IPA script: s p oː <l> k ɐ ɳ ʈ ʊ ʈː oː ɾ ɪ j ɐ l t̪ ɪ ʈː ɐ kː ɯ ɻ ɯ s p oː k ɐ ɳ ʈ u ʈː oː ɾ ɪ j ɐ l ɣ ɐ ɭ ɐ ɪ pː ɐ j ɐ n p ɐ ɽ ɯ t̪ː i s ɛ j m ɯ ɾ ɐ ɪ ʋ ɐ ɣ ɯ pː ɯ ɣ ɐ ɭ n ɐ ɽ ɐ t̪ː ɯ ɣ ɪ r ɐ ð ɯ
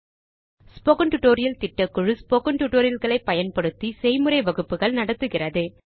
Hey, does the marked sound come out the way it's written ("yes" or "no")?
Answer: no